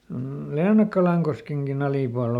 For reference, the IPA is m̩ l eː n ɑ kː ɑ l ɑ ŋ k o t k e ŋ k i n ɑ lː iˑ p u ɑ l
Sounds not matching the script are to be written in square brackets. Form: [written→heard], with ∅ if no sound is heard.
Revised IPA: m̩ l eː n ɑ kː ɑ l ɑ ŋ k o [t→s] k e ŋ k i n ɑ [lː→l] iˑ p u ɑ l